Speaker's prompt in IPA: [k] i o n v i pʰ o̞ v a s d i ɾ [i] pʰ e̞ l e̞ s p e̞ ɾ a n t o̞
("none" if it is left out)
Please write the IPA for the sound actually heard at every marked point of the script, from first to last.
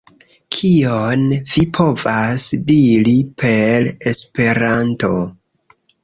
kʰ, i

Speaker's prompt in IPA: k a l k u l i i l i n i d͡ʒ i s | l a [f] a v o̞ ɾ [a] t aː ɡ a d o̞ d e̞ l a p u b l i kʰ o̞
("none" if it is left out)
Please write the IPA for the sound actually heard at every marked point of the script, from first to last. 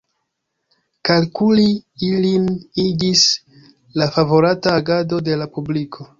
f, a

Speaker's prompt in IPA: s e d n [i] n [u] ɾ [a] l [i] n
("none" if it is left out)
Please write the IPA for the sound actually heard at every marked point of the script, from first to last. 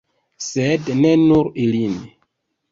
e, u, i, i

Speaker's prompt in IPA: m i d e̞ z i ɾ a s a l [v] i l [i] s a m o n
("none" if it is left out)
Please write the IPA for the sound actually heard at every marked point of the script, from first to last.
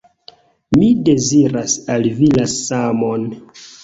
v, a

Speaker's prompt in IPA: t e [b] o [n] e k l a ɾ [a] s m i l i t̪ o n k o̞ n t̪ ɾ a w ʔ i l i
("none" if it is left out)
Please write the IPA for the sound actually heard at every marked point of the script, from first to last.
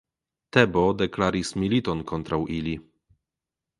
b, d, i

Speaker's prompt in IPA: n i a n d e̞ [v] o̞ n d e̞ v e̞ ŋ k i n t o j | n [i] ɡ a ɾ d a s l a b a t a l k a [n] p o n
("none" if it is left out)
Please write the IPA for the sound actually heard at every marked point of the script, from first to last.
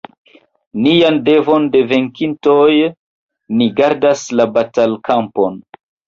v, i, m

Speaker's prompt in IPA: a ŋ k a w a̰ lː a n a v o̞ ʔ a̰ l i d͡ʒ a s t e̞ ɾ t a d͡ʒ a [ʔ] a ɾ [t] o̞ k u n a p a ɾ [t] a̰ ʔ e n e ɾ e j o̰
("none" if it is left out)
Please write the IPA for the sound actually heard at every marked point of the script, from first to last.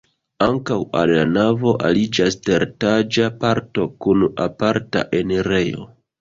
p, t, t

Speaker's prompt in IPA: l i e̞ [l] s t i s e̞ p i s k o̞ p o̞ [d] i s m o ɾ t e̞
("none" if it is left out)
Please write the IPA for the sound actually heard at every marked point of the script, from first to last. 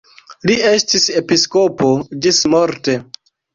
none, d͡ʒ

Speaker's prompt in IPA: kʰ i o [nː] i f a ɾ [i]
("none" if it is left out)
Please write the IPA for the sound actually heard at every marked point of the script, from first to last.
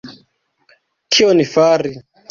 n, i

